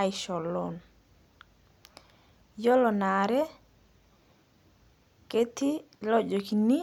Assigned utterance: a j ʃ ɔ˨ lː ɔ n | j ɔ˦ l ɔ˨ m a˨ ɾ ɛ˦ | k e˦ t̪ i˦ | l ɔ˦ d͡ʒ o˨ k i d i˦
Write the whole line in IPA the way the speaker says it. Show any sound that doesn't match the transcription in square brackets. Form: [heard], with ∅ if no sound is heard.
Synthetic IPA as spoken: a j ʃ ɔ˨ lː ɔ n | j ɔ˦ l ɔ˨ [n] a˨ ɾ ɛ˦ | k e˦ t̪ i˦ | l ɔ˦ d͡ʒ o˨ k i [n] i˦